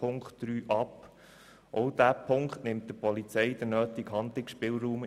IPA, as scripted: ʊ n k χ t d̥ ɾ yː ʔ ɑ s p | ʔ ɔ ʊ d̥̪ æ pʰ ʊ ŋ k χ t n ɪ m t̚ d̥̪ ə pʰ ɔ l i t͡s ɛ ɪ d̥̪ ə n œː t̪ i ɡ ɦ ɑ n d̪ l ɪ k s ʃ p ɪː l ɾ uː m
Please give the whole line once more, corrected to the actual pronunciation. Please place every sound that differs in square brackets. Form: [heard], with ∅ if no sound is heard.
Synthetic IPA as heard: ʊ [ŋ] k χ t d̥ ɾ yː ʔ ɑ [∅] p | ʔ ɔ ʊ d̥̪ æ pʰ ʊ ŋ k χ t n ɪ m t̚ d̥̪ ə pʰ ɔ l i t͡s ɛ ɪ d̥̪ ə n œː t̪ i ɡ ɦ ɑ n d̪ l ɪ k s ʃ p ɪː l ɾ uː m